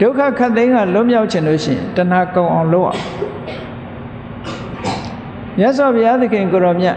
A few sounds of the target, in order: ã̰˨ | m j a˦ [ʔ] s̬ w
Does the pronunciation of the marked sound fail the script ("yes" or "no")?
no